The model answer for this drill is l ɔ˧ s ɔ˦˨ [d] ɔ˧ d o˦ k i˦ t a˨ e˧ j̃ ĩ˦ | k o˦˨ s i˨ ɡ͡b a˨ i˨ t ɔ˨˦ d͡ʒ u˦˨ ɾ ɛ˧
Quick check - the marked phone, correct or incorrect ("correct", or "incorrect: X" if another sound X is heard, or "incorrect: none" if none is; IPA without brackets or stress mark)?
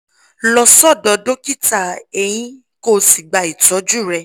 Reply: correct